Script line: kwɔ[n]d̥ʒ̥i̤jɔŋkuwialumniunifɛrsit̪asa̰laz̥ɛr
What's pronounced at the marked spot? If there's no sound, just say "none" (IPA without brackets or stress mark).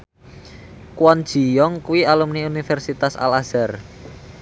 n